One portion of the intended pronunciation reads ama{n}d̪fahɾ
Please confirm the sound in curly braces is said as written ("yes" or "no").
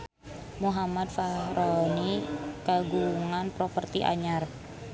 no